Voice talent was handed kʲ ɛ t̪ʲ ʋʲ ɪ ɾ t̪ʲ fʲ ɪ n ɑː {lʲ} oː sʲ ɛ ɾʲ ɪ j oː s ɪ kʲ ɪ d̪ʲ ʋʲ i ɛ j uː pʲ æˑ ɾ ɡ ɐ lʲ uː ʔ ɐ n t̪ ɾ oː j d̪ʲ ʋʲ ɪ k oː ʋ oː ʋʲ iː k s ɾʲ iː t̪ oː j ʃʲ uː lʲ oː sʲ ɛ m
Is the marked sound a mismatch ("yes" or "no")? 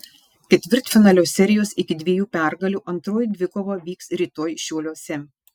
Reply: no